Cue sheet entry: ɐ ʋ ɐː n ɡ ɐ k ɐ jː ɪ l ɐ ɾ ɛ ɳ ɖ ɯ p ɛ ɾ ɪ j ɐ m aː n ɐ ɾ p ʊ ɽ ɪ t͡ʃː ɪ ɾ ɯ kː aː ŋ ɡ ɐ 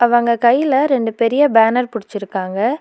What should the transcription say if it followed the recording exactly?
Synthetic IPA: ɐ ʋ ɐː ŋ ɡ ɐ k ɐ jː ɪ l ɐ ɾ ɛ ɳ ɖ ɯ p ɛ ɾ ɪ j ɐ b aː n ɐ ɾ p ʊ ɽ ɪ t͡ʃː ɪ ɾ ɯ kː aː ŋ ɡ ɐ